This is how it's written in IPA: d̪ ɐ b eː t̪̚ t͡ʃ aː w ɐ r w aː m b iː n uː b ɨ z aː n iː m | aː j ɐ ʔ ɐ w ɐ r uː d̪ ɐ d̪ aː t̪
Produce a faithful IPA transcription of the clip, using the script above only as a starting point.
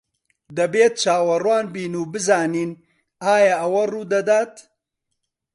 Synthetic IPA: d̪ ɐ b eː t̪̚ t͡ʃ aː w ɐ r w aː n b iː n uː b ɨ z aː n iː n | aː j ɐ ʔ ɐ w ɐ r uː d̪ ɐ d̪ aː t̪